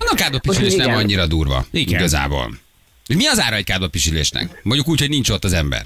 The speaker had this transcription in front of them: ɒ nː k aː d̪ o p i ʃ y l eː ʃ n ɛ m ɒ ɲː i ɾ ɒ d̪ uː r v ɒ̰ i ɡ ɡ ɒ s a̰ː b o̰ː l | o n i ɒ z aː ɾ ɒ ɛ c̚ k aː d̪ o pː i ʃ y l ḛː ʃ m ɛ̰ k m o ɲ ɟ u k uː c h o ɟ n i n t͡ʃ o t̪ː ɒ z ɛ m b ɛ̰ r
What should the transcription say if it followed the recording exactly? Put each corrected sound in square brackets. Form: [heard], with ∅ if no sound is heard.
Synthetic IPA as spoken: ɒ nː k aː d̪ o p i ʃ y l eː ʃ n ɛ m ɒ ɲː i ɾ ɒ d̪ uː r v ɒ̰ i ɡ ɡ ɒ [z] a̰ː b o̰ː l | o [m] i ɒ z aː ɾ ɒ ɛ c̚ k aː d̪ o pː i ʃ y l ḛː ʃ [n] ɛ̰ k m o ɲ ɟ u k uː c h o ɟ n i n t͡ʃ o t̪ː ɒ z ɛ m b ɛ̰ r